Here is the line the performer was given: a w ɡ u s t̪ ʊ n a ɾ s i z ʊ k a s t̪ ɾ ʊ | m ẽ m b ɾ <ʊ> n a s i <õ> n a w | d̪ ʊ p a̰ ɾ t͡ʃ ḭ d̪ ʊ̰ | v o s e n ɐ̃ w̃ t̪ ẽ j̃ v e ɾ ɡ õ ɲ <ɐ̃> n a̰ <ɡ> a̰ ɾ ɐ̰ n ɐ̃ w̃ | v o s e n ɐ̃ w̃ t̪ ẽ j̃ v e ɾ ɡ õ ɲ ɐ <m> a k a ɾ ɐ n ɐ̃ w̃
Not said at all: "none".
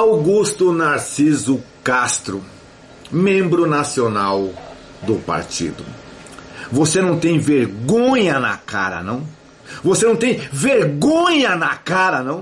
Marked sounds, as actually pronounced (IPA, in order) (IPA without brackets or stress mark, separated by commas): ʊ, o, ɐ, k, n